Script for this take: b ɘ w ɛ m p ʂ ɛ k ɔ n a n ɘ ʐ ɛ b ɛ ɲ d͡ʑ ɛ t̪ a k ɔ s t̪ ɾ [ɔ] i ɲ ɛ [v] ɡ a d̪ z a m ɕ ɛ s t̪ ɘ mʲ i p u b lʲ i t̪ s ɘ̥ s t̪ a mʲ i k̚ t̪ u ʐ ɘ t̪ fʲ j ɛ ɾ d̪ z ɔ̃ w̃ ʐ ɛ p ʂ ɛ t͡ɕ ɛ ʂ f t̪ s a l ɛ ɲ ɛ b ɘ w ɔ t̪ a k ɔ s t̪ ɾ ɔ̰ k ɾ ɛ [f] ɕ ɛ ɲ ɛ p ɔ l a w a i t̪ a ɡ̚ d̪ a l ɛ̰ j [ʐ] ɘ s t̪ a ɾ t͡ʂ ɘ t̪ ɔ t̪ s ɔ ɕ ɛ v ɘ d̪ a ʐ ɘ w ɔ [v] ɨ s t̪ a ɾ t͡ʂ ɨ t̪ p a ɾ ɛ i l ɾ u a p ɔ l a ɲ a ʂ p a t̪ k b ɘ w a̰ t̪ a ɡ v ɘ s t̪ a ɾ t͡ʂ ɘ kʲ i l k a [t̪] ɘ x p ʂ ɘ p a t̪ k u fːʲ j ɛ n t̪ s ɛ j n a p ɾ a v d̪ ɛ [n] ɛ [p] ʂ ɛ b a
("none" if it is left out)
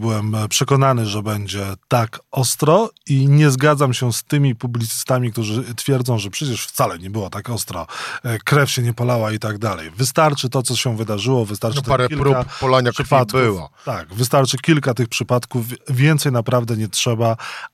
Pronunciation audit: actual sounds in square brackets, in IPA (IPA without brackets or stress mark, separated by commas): ɔ, z, f, v, v, t̪, ɲ, t